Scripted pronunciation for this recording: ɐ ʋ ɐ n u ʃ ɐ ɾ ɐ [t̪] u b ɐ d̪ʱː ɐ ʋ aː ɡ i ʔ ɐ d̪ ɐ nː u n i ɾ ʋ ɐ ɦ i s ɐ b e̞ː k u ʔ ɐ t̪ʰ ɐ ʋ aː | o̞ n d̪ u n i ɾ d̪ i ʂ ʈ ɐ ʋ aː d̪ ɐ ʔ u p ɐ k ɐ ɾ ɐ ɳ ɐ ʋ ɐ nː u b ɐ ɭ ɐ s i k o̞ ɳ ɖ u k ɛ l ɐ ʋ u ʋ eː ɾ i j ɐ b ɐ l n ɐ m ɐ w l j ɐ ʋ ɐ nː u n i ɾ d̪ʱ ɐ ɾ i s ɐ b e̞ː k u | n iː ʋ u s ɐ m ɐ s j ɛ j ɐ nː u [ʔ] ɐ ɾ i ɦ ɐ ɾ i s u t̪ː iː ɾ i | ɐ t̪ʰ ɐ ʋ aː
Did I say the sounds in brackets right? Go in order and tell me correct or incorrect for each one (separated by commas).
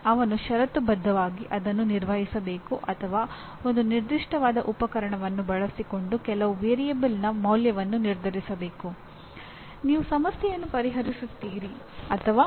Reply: correct, incorrect